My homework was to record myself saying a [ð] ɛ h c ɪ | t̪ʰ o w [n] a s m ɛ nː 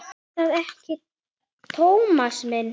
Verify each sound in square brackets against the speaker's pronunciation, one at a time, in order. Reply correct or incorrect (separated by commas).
correct, incorrect